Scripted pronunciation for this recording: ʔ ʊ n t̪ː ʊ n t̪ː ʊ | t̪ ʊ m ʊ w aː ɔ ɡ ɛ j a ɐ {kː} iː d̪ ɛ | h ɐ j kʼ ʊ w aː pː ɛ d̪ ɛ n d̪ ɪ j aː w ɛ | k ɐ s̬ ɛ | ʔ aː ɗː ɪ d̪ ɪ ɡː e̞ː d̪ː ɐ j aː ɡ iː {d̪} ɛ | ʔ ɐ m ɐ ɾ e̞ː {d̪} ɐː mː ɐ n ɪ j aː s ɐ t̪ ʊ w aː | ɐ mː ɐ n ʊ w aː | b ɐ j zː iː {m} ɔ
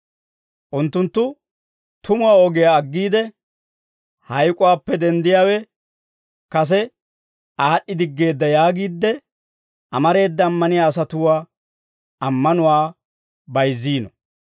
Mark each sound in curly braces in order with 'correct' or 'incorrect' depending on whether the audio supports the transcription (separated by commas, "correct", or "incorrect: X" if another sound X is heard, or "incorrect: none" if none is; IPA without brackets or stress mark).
incorrect: ɡː, incorrect: d̪ː, incorrect: d̪ː, incorrect: n